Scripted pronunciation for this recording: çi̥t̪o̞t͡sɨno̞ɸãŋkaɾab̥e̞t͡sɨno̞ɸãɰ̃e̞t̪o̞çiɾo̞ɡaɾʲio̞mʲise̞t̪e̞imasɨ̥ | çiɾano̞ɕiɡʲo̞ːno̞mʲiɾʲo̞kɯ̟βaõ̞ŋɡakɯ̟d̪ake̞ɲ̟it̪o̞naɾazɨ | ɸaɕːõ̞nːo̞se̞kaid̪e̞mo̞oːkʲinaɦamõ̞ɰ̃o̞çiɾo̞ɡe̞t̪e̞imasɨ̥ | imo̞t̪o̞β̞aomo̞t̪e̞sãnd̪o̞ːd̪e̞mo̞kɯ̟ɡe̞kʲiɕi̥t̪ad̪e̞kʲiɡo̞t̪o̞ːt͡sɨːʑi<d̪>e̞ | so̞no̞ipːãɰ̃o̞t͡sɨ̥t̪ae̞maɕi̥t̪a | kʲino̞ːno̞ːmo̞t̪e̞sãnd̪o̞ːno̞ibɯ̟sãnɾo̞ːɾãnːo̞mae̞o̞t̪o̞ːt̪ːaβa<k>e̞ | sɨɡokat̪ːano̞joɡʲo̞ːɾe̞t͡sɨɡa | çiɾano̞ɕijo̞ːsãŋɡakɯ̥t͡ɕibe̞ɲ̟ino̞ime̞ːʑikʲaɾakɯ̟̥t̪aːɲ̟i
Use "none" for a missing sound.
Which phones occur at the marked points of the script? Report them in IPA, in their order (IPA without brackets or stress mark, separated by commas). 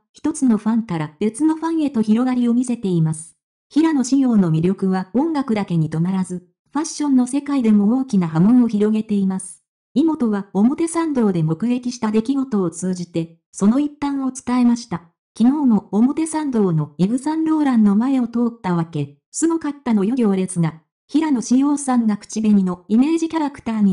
t̪, k